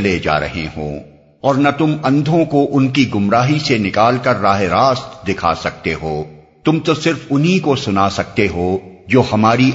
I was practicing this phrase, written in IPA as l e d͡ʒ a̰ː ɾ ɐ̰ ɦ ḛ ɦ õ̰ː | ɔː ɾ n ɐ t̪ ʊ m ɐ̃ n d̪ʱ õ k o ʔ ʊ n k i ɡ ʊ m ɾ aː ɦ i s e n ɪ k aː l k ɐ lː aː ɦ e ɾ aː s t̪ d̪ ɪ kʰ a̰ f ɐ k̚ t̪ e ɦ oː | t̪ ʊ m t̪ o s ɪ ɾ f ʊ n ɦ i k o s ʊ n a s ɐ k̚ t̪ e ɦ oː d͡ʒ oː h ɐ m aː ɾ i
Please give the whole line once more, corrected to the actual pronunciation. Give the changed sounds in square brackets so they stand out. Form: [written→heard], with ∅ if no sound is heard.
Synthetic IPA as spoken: l e d͡ʒ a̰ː ɾ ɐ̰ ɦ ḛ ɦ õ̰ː | ɔː ɾ n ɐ t̪ ʊ m ɐ̃ n d̪ʱ õ k o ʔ ʊ n k i ɡ ʊ m ɾ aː ɦ i s e n ɪ k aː l k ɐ [lː→ɾː] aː ɦ e ɾ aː s t̪ d̪ ɪ kʰ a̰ [f→s] ɐ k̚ t̪ e ɦ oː | t̪ ʊ m t̪ o s ɪ ɾ f ʊ n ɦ i k o s ʊ n a s ɐ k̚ t̪ e ɦ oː d͡ʒ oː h ɐ m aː ɾ i